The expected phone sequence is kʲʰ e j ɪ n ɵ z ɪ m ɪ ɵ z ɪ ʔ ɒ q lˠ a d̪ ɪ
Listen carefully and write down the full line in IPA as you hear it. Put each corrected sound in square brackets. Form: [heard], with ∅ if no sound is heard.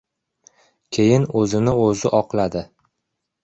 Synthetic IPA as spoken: kʲʰ e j ɪ n ɵ z ɪ [n] ɪ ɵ z ɪ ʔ ɒ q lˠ a d̪ ɪ

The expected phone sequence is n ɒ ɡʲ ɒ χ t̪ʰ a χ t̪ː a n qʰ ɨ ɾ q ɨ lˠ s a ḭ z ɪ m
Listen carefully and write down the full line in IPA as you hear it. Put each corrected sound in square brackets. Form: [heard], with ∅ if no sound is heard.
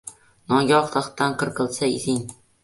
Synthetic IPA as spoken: n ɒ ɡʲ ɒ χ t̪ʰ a χ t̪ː a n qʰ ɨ ɾ q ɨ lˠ s a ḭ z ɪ [ŋ]

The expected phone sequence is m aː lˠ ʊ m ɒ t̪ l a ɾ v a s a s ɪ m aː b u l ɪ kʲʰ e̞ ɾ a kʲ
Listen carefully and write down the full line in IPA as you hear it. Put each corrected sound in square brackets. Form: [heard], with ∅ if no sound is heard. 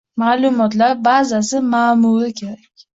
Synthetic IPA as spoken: m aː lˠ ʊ m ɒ t̪ l a ɾ [b] a [z] a s ɪ m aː [m] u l ɪ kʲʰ e̞ ɾ a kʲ

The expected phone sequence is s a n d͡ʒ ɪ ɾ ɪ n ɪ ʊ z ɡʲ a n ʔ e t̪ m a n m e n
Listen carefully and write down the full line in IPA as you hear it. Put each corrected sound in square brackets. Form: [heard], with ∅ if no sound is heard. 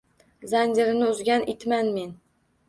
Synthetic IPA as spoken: [z] a n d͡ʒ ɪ ɾ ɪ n ɪ ʊ z ɡʲ a n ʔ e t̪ m a n m e n

